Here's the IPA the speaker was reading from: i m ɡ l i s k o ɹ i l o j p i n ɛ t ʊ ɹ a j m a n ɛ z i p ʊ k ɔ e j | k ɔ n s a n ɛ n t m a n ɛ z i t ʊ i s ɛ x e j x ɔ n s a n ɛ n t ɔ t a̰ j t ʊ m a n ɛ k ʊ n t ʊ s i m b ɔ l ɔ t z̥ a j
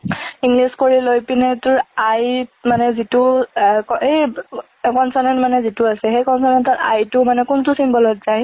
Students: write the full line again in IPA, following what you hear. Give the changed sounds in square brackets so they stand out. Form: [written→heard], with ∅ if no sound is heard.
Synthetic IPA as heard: i [m→ŋ] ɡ l i s k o ɹ i l o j p i n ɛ t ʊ ɹ a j m a n ɛ z i [p→t] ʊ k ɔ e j | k ɔ n s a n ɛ n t m a n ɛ z i t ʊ [i→a] s ɛ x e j [x→k] ɔ n s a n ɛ n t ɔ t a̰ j t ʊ m a n ɛ k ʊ n t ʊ s i m b ɔ l ɔ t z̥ a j

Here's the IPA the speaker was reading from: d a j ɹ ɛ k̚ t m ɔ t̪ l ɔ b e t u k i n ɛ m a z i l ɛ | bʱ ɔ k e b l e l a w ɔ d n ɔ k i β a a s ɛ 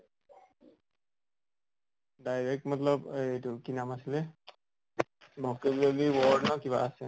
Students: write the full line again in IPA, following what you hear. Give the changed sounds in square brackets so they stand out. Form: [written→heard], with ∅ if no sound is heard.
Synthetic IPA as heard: d a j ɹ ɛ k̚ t m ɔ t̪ l ɔ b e t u k i n [ɛ→a] m a [z→s] i l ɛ | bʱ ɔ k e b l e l [a→i] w ɔ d n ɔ k i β a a s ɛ

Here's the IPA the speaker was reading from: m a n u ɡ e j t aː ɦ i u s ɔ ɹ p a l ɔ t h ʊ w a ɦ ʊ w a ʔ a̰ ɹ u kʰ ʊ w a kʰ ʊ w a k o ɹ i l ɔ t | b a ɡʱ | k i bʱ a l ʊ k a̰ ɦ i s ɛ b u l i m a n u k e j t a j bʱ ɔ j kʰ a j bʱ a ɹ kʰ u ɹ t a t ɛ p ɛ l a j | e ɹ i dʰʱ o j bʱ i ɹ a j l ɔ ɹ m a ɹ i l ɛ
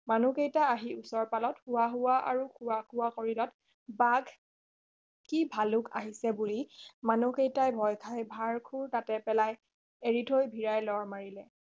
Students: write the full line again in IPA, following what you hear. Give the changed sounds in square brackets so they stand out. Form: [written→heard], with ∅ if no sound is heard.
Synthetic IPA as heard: m a n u [ɡ→k] e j t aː ɦ i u s ɔ ɹ p a l ɔ t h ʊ w a ɦ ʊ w a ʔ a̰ ɹ u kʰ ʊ w a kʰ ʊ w a k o ɹ i l ɔ t | b a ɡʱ | k i bʱ a l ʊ k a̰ ɦ i s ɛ b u l i m a n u k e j t a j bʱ ɔ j kʰ a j bʱ a ɹ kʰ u ɹ t a t ɛ p ɛ l a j | e ɹ i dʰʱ o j bʱ i ɹ a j l ɔ ɹ m a ɹ i l ɛ

